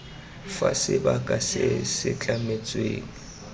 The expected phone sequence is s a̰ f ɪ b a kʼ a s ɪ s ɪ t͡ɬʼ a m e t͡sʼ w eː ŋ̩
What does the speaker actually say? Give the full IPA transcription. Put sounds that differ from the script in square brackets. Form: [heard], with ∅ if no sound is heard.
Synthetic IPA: [f] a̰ [s] ɪ b a kʼ a s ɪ s ɪ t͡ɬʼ a m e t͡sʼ w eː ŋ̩